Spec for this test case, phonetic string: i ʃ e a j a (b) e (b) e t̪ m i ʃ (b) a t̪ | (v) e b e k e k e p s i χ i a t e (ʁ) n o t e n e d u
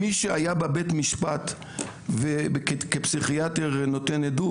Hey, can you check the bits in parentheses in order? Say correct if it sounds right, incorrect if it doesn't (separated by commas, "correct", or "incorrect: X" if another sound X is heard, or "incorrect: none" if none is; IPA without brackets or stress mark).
correct, correct, incorrect: p, correct, correct